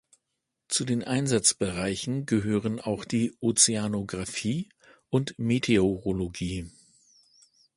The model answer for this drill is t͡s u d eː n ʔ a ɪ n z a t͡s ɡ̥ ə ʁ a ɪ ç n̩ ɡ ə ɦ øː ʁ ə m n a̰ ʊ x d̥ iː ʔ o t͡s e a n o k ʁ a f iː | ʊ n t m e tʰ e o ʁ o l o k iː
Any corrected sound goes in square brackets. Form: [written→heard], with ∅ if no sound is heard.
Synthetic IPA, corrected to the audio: t͡s u d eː n ʔ a ɪ n z a t͡s [ɡ̥→b̥] ə ʁ a ɪ ç n̩ ɡ ə ɦ øː ʁ ə [m→∅] n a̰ ʊ x d̥ iː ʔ o t͡s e a n o [k→ɡ] ʁ a f iː | ʊ n t m e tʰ e o ʁ o l o [k→ɡ] iː